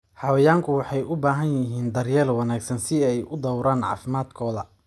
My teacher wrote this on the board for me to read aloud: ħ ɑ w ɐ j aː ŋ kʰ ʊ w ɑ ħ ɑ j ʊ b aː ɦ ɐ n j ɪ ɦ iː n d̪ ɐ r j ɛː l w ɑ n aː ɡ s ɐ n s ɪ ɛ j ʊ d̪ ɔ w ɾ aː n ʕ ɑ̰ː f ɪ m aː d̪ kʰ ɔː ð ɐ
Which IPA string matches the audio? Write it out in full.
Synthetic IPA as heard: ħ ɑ w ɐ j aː ŋ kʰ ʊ w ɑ ħ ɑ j ʊ b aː ɦ ɐ n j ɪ ɦ iː n d̪ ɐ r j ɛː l w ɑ n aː ɡ s ɐ n s ɪ ɛ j ʊ d̪ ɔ w ɾ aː n ʕ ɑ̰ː f ɪ m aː d̪ kʰ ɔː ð ɐ